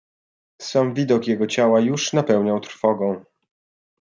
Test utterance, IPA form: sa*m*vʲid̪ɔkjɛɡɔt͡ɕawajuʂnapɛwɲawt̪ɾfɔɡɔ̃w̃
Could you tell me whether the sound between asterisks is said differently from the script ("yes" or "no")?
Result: no